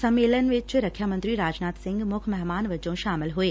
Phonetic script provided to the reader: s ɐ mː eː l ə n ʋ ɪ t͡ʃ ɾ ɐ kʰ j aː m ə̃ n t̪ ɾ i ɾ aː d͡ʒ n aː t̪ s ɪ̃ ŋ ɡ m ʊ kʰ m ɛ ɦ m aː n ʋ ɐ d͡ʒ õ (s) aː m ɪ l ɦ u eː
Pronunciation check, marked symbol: incorrect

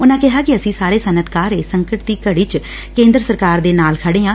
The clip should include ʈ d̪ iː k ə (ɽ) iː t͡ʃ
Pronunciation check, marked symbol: correct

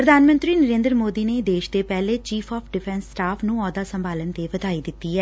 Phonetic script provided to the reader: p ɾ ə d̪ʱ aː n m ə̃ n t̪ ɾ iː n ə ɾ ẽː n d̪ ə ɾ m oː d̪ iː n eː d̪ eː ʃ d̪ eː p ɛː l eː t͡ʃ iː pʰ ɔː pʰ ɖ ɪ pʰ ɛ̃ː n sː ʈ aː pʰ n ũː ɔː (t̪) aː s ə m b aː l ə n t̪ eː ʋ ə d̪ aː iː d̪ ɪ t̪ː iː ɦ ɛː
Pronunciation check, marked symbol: incorrect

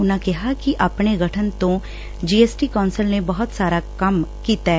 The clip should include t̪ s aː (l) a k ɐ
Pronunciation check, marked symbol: incorrect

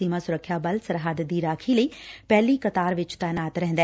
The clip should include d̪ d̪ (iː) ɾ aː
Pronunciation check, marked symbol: correct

